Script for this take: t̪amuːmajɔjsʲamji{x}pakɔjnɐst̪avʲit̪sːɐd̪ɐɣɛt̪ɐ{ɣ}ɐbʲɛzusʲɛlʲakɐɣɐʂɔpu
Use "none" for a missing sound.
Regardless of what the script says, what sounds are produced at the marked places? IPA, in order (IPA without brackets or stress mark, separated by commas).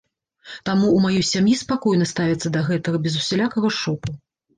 s, ɣ